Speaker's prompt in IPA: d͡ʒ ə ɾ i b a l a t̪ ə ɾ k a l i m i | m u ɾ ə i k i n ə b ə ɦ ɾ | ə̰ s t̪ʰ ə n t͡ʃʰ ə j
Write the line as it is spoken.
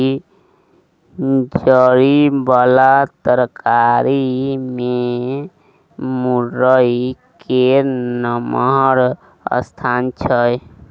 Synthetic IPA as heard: d͡ʒ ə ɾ i b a l a t̪ ə ɾ k a ɾ i m e | m u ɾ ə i k e n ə m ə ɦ ɾ | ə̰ s t̪ʰ a n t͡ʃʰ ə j